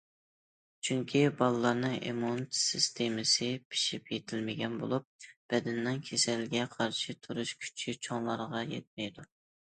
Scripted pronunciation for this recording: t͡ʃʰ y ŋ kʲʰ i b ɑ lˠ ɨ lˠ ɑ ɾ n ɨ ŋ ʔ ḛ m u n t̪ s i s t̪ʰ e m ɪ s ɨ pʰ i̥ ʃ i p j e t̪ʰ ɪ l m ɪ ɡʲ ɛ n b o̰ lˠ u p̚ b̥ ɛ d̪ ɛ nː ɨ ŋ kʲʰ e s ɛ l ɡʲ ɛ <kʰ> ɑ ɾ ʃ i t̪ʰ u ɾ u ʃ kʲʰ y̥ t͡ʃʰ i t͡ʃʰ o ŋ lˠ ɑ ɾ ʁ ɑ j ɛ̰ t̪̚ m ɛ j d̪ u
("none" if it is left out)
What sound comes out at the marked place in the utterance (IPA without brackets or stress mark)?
qʰ